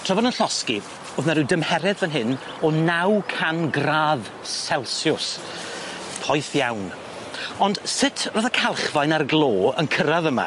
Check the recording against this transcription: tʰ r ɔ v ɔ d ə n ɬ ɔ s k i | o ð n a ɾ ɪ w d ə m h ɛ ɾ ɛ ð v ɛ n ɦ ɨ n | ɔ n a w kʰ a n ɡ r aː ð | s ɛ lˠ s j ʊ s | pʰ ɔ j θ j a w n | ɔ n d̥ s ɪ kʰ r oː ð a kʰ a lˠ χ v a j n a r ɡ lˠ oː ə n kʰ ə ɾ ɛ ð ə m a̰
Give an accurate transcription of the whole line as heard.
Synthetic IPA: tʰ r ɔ v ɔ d ə n ɬ ɔ s k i | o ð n a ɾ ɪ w d ə m h ɛ ɾ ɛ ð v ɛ n ɦ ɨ n | ɔ n a w kʰ a n ɡ r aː ð | s ɛ lˠ s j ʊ s | pʰ ɔ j θ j a w n | ɔ n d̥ s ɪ tʰ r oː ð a kʰ a lˠ χ v a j n a r ɡ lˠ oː ə n kʰ ə ɾ a ð ə m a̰